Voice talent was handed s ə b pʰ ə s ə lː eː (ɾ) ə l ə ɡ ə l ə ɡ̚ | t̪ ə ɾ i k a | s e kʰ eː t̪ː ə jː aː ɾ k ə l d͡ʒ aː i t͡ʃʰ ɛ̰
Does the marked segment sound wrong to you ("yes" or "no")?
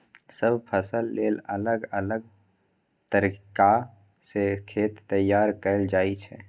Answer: yes